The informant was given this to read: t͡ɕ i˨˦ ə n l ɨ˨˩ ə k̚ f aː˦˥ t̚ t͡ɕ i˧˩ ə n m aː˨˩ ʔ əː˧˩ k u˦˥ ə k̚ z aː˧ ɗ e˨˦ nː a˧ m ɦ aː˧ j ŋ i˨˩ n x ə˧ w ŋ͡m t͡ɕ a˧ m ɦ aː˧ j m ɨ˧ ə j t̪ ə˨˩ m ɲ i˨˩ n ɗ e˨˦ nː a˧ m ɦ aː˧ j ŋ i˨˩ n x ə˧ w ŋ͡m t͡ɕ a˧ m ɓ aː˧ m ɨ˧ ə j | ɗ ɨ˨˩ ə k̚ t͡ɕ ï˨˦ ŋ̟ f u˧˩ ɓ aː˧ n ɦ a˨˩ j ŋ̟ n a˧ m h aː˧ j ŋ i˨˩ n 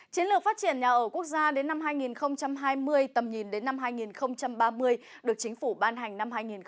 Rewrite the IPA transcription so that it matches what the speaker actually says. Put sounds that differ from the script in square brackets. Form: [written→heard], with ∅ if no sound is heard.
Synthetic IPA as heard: t͡ɕ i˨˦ ə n l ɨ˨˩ ə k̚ f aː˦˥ t̚ t͡ɕ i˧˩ ə n [m→ɲ] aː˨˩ ʔ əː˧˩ k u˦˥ ə k̚ z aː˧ ɗ e˨˦ nː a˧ m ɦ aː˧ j ŋ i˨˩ n x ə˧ w ŋ͡m t͡ɕ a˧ m ɦ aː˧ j m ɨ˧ ə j t̪ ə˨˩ m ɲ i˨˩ n ɗ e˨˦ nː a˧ m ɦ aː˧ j ŋ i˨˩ n x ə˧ w ŋ͡m t͡ɕ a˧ m ɓ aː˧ m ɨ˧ ə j | ɗ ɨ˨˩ ə k̚ t͡ɕ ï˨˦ ŋ̟ f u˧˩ ɓ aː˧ n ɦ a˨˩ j ŋ̟ n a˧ m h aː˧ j ŋ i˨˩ n